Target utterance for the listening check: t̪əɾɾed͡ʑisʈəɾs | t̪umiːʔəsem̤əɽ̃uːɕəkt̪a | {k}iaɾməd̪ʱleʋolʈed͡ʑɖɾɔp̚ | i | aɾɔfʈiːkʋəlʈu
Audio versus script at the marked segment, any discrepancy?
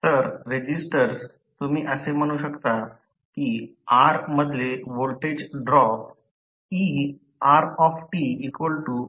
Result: no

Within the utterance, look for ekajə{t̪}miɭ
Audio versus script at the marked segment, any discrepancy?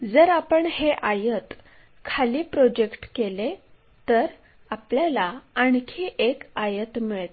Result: no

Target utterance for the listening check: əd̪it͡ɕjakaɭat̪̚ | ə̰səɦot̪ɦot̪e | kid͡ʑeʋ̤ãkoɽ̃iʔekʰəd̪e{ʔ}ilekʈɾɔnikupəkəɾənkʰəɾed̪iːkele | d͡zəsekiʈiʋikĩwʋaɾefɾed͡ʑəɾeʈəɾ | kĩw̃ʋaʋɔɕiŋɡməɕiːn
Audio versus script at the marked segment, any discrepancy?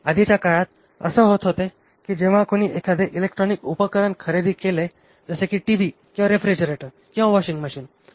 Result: no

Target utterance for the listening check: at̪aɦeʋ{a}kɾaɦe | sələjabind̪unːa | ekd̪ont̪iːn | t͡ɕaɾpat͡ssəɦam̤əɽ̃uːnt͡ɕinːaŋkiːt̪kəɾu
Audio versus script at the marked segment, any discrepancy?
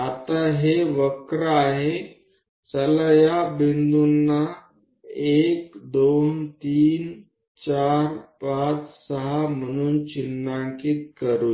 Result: yes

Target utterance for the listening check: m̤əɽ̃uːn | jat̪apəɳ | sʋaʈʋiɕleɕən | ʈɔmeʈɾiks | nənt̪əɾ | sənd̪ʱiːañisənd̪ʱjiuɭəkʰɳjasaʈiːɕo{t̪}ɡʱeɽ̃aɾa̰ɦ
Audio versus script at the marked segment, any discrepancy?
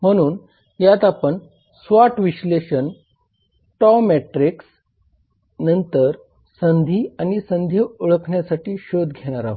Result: yes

